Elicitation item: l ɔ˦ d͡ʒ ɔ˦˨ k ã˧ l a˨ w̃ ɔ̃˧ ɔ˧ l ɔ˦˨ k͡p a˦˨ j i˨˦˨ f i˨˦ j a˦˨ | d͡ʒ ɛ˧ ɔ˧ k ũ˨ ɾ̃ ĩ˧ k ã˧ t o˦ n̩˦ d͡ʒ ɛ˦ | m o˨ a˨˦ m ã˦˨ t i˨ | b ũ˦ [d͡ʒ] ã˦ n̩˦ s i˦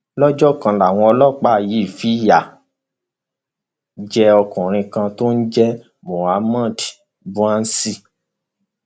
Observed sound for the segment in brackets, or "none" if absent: none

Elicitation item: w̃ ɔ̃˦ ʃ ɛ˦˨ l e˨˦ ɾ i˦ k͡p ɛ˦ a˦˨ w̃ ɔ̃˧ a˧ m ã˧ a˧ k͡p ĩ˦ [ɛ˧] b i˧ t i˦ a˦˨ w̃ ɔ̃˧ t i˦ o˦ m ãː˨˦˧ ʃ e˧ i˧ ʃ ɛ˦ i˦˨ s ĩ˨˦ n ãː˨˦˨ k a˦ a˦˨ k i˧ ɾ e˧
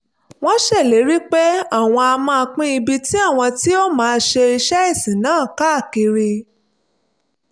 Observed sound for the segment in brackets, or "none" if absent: i˧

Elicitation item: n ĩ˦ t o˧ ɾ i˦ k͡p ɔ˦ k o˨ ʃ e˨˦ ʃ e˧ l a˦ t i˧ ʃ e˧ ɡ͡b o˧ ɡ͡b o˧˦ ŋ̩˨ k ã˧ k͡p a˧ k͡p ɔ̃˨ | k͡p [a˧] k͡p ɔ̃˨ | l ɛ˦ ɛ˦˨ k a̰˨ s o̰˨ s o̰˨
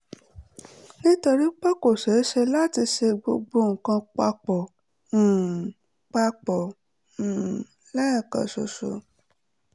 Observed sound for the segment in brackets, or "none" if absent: a˧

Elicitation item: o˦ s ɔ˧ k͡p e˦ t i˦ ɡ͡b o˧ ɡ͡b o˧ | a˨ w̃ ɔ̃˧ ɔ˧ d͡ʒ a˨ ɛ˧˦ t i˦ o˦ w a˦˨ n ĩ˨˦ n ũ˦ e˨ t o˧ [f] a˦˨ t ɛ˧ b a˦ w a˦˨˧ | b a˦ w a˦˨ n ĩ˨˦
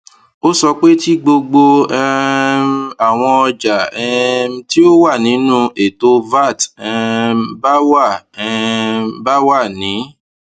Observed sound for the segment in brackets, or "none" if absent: v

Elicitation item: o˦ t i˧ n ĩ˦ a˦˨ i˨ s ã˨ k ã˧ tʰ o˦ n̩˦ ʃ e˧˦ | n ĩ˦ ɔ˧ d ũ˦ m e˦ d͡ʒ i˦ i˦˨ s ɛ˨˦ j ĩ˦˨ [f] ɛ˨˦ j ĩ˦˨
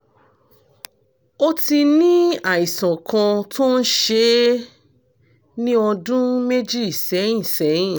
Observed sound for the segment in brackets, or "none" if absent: s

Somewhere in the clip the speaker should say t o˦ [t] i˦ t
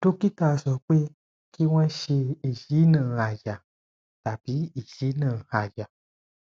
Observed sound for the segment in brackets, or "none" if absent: k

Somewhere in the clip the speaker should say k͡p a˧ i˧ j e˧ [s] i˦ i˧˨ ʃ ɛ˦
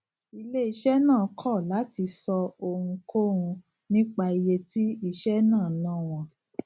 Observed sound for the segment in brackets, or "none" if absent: t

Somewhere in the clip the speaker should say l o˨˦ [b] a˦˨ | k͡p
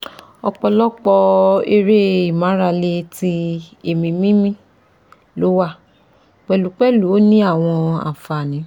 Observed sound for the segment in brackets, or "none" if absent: w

